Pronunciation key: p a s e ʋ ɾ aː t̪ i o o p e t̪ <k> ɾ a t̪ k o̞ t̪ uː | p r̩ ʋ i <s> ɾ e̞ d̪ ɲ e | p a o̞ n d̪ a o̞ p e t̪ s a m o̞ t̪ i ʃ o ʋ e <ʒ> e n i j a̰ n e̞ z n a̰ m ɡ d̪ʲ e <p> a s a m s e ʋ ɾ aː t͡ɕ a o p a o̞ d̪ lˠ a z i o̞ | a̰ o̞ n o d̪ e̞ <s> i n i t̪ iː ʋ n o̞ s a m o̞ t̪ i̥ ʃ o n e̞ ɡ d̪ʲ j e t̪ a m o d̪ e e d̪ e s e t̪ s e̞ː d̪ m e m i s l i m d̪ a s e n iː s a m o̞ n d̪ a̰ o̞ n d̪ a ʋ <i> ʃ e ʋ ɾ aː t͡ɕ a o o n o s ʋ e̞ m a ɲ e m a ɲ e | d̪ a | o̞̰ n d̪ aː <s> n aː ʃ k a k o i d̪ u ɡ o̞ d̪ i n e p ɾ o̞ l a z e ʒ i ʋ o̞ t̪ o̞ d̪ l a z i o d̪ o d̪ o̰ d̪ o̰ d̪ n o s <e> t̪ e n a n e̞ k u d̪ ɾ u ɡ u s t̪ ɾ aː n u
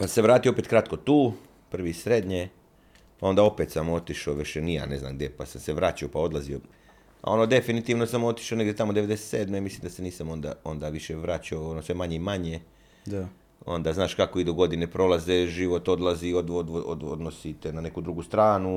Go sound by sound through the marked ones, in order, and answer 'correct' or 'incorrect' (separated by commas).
correct, correct, incorrect, correct, incorrect, correct, incorrect, incorrect